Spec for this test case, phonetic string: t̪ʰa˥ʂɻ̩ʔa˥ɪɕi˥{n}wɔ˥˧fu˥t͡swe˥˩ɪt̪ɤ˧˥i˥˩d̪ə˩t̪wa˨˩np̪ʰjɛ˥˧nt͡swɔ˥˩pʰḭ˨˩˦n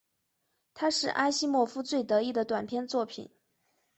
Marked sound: incorrect: m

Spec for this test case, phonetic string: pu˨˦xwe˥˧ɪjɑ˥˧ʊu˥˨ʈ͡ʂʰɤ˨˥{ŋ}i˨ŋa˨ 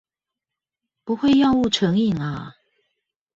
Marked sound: correct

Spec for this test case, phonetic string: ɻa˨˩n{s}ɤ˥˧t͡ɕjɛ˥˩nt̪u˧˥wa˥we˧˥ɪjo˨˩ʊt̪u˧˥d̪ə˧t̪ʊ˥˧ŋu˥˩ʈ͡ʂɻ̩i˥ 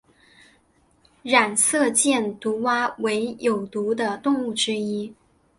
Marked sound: correct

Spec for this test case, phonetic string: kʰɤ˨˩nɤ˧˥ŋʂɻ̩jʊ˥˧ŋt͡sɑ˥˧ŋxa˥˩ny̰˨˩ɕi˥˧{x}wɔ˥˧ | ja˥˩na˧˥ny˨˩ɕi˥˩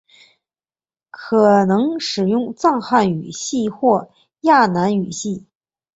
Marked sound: correct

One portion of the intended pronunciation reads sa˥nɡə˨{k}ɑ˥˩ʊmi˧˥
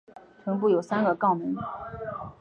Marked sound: correct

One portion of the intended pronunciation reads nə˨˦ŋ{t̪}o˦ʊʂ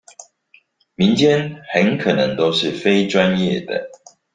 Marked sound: correct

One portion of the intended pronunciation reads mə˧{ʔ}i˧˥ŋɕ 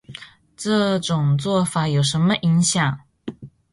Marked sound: correct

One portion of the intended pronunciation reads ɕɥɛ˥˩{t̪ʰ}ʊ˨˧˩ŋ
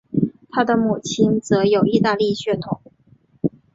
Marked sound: correct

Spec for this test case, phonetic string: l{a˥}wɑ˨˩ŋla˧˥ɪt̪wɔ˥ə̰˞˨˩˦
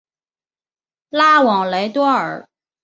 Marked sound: correct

